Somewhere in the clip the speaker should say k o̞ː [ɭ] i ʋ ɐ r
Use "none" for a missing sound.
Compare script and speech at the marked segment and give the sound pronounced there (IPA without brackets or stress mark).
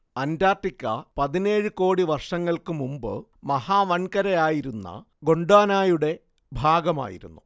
ɽ